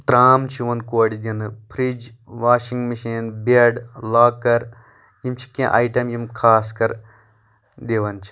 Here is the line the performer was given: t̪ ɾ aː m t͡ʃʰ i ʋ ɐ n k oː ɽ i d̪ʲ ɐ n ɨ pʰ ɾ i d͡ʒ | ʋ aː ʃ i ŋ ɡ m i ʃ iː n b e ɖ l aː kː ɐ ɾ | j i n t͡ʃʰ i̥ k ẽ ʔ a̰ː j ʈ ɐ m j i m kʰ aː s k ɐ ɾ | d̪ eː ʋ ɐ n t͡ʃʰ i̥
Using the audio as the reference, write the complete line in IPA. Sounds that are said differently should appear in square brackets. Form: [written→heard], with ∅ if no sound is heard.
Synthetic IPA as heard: t̪ ɾ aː m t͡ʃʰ i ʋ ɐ n k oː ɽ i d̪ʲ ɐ n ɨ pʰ ɾ i d͡ʒ | ʋ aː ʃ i ŋ ɡ m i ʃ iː n b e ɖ l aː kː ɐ ɾ | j i [n→m] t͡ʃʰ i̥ k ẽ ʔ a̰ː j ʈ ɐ m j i m kʰ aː s k ɐ ɾ | d̪ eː ʋ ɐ n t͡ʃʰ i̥